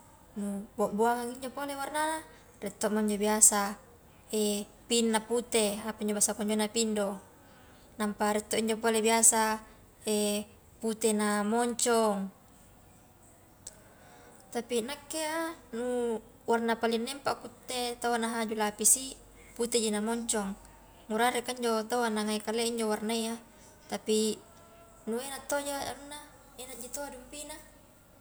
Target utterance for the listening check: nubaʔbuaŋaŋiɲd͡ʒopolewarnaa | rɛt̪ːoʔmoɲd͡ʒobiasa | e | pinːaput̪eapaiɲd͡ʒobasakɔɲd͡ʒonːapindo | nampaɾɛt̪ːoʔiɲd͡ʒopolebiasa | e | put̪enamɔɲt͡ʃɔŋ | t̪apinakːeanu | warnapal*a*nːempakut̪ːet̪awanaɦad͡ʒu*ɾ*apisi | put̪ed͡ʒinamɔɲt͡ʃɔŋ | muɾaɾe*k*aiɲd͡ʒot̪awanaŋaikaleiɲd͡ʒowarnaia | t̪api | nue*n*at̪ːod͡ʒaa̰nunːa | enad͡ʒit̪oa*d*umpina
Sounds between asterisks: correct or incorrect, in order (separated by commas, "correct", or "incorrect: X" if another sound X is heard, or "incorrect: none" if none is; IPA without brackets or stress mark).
incorrect: i, incorrect: l, correct, correct, correct